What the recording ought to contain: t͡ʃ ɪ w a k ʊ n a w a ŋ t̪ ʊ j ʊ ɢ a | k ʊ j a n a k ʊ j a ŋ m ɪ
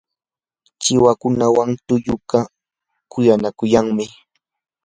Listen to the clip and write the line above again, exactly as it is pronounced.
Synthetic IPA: t͡ʃ ɪ w a k ʊ n a w a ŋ t̪ ʊ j ʊ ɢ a | k ʊ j a n a k ʊ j a ŋ m ɪ

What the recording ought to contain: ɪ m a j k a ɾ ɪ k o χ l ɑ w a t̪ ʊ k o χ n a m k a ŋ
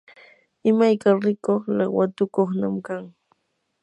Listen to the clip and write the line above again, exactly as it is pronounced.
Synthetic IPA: ɪ m a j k a ɾ ɪ k o χ l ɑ w a t̪ ʊ k o χ n a m k a ŋ

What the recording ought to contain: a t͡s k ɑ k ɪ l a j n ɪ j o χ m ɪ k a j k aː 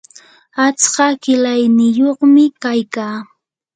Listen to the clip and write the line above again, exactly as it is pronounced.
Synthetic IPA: a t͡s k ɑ k ɪ l a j n ɪ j o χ m ɪ k a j k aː

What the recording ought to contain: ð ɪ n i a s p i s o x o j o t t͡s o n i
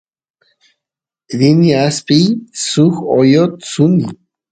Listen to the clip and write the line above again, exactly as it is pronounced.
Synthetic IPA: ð i n i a s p i s u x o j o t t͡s u n i

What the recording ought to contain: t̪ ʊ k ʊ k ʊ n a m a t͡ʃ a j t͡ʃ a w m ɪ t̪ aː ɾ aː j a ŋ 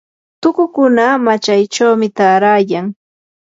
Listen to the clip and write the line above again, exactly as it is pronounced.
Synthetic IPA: t̪ ʊ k ʊ k ʊ n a m a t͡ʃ a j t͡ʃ a w m ɪ t̪ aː ɾ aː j a ŋ

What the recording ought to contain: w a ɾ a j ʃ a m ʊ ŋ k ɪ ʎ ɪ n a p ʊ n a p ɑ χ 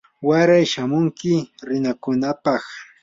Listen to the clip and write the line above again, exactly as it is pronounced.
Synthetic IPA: w a ɾ a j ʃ a m ʊ ŋ k ɪ ɾ ɪ n a k ʊ n a p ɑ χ

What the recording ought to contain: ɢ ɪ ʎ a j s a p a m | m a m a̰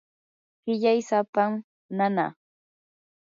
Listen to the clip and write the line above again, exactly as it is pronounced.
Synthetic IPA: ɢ ɪ ʎ a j s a p a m | n a n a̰

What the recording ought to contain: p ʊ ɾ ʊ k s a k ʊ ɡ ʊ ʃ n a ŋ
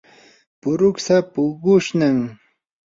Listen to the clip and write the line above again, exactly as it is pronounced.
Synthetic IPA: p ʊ ɾ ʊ k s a p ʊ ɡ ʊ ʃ n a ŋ

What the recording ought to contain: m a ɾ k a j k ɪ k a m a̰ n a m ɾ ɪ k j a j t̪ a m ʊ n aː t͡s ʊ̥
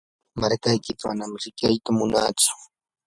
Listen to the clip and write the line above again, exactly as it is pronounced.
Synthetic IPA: m a ɾ k a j k ɪ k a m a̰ n a m ɾ ɪ k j a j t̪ a m ʊ n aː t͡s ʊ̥

